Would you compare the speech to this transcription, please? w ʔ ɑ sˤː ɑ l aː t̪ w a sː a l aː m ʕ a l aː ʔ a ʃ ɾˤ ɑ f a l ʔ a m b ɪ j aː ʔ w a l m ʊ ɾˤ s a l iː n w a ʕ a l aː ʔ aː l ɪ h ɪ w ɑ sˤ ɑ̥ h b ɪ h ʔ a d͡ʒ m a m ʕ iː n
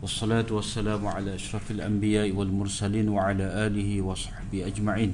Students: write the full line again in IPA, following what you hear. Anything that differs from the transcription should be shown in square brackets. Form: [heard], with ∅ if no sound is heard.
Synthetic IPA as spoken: w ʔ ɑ sˤː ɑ l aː t̪ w a sː a l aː m ʕ a l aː ʔ a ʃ ɾˤ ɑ f a l ʔ a m b ɪ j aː ʔ w a l m ʊ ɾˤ s a l iː n w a ʕ a l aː ʔ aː l ɪ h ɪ w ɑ sˤ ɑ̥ [ħ] b ɪ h ʔ a d͡ʒ m a [∅] ʕ iː n